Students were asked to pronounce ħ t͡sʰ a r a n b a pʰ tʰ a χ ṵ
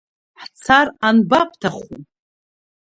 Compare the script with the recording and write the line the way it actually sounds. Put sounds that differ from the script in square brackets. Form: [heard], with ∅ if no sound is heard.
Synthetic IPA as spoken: ħ t͡sʰ a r a n b a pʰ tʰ a χ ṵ